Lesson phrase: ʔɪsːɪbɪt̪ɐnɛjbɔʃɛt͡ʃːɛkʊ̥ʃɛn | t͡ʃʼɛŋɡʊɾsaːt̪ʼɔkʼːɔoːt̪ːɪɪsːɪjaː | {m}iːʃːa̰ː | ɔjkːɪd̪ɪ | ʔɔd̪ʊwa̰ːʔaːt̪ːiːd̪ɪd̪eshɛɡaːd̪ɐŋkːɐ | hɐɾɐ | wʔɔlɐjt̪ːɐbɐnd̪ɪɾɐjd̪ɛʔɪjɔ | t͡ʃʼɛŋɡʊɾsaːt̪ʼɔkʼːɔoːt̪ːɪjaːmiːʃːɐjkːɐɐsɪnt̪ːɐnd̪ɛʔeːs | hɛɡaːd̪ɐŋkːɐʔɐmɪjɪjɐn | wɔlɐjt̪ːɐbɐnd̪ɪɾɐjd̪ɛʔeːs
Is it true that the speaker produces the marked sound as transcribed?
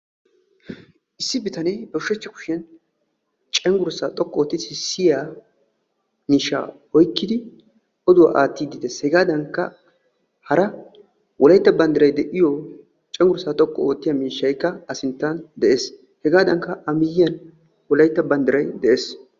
yes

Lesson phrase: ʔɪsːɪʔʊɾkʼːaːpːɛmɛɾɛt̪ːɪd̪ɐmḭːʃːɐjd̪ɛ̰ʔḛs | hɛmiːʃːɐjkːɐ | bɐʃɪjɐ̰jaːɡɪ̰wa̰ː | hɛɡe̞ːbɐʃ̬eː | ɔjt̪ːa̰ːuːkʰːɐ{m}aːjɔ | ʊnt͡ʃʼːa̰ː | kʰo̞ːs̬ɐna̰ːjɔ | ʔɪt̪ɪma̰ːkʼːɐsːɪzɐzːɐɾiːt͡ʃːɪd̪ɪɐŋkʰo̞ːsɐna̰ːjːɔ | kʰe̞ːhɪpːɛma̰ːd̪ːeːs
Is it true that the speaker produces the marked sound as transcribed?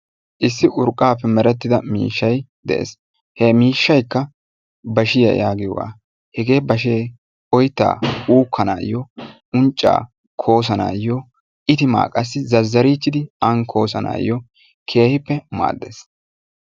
no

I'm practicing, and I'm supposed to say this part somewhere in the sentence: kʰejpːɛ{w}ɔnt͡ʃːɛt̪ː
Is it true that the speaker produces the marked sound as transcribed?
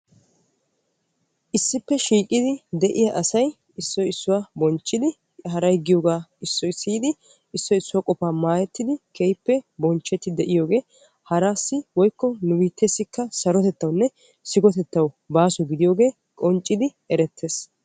no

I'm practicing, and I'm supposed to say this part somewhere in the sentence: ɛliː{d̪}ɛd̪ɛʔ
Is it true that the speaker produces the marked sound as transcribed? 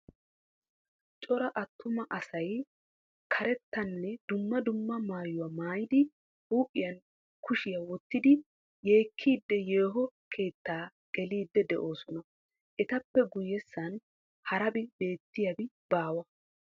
no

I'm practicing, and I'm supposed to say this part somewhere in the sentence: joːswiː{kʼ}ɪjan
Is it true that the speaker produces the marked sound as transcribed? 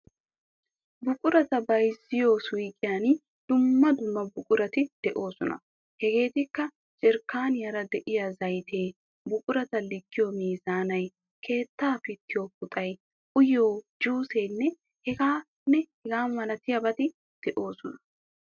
yes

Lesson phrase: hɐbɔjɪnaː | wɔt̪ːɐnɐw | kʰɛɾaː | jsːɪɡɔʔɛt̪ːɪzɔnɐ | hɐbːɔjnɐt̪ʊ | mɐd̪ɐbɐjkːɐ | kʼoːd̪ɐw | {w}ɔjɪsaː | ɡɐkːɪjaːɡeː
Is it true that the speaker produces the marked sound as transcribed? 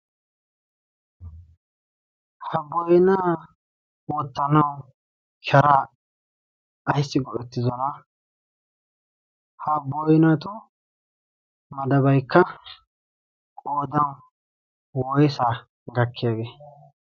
yes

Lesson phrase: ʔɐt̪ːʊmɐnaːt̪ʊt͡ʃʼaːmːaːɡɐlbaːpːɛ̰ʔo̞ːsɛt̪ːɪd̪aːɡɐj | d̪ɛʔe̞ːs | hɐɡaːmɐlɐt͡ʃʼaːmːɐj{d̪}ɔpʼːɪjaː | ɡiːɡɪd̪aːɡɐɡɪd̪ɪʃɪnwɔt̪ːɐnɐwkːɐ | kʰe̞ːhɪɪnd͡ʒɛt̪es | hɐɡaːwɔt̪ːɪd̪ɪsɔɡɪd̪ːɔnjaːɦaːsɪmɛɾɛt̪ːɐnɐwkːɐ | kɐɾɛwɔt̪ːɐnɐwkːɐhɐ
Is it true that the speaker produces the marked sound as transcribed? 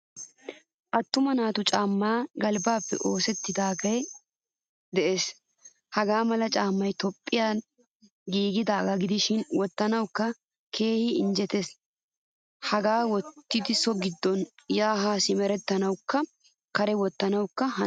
no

